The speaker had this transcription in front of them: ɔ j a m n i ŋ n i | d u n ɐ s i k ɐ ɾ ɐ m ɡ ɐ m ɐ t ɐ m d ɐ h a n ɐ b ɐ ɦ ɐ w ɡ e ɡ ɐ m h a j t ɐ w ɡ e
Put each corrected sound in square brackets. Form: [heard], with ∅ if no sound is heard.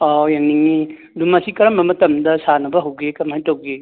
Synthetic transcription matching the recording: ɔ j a [ŋ] n i ŋ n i | d u [m] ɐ s i k ɐ ɾ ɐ m [b] ɐ m ɐ t ɐ m d ɐ [s] a n ɐ b ɐ ɦ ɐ w ɡ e [k] ɐ m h a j t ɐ w ɡ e